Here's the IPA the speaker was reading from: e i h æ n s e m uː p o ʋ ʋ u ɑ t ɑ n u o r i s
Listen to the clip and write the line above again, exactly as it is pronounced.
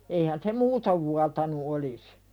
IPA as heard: e i h æ n s e m uː t o ʋ ʋ u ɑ t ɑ n u o l i s